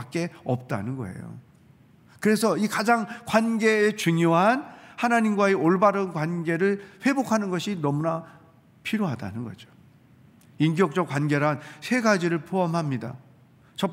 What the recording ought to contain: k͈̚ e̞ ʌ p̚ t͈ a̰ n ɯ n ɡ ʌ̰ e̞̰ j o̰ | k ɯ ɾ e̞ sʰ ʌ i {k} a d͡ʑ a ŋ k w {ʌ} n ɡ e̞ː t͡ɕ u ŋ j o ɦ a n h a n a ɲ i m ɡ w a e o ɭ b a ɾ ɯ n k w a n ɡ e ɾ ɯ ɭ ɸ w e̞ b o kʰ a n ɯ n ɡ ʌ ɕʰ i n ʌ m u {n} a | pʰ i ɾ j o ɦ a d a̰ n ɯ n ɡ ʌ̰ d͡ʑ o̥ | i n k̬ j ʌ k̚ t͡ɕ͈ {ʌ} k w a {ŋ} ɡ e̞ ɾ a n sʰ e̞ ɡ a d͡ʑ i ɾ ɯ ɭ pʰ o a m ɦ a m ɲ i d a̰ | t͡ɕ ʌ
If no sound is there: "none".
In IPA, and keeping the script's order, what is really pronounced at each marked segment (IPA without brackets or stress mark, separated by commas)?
k, a, n, ʌ, n